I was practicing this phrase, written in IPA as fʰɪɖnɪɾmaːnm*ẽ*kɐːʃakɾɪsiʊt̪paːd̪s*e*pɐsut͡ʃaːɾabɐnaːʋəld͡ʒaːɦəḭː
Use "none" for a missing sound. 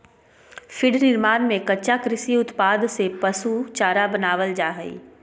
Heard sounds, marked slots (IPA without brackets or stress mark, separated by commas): ẽ, e